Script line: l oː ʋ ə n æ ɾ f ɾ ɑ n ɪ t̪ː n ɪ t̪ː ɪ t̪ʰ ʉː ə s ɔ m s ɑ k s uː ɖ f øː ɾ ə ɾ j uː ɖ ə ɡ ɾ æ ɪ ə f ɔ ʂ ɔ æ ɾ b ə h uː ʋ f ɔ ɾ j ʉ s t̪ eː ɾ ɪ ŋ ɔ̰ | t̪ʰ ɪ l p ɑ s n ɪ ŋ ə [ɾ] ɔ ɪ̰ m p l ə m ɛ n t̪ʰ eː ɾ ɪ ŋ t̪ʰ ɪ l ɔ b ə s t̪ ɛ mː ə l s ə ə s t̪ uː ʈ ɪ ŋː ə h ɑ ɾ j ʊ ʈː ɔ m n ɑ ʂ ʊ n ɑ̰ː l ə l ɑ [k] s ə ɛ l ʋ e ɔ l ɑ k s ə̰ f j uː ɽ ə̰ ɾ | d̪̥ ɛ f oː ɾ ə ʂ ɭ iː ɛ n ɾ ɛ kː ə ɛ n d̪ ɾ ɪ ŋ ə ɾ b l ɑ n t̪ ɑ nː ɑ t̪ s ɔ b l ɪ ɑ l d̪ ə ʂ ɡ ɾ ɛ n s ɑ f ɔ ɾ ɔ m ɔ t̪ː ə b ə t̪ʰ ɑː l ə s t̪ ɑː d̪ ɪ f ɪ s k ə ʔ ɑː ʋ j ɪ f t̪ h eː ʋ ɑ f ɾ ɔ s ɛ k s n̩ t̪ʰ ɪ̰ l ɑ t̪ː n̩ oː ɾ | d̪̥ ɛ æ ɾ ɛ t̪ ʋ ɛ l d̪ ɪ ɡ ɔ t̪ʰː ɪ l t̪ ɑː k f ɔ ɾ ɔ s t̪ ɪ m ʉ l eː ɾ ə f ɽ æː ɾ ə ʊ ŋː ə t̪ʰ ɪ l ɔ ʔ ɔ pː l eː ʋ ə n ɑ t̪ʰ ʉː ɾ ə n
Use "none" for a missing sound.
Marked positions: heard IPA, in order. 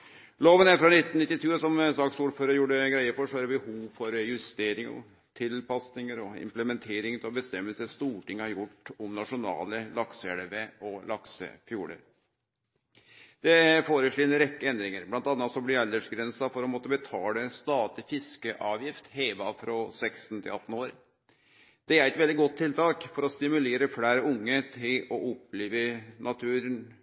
ɾ, k

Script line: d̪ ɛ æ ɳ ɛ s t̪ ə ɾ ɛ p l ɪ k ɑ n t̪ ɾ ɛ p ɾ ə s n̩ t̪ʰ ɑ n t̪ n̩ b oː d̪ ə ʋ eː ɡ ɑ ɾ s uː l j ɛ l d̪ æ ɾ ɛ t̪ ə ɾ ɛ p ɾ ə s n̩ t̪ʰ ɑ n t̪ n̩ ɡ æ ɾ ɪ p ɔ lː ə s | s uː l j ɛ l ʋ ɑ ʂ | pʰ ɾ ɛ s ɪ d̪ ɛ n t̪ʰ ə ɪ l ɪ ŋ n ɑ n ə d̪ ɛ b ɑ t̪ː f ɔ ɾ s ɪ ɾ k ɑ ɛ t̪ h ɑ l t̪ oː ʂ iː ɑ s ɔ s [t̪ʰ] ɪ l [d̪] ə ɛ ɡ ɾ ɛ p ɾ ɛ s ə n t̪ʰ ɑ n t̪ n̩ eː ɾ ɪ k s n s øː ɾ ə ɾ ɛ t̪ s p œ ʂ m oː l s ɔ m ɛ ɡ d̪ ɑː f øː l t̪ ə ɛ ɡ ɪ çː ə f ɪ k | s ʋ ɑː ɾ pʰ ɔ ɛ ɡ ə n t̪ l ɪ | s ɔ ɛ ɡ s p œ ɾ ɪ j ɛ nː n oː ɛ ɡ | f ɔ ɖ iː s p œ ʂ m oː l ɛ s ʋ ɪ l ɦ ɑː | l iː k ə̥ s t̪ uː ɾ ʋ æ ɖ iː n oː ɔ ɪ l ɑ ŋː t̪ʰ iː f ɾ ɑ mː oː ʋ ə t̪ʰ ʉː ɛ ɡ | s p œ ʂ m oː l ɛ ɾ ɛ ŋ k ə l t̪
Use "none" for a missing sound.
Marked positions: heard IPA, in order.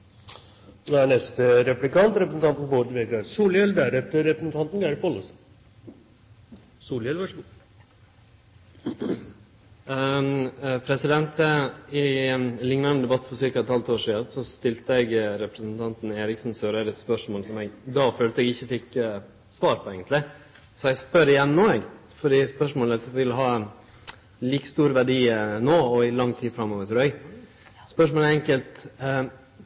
t̪, t̪

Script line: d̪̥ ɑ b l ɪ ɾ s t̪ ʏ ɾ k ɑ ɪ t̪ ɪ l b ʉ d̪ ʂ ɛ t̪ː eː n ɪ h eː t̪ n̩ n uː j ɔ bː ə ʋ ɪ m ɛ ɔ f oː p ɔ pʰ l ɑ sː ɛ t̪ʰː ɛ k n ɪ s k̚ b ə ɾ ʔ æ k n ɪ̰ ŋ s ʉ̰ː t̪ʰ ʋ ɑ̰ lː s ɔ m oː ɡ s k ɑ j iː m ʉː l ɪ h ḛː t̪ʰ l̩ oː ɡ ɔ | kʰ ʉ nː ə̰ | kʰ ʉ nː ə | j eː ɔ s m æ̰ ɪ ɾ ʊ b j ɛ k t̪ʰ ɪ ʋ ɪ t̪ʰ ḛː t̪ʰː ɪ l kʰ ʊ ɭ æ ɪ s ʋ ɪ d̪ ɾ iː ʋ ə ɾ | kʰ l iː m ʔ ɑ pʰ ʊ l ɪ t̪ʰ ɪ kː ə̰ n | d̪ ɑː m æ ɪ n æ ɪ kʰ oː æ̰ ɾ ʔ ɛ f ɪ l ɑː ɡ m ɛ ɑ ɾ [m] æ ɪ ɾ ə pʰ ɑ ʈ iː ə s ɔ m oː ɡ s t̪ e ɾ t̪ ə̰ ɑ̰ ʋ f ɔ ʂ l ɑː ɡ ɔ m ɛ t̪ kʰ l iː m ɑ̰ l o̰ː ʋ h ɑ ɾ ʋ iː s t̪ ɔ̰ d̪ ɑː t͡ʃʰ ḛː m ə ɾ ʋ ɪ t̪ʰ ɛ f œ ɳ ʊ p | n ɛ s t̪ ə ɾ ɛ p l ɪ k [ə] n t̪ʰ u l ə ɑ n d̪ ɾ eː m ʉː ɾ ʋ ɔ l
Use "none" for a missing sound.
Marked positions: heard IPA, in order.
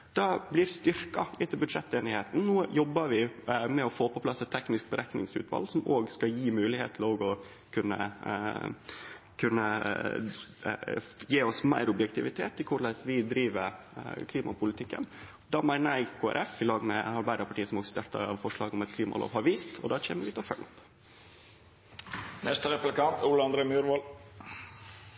b, ɑ

